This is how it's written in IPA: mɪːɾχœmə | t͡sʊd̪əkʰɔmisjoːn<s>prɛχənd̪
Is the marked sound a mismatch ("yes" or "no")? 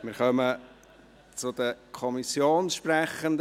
yes